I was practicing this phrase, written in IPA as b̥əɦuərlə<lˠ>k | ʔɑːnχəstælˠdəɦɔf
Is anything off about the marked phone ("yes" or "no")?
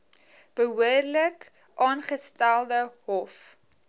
yes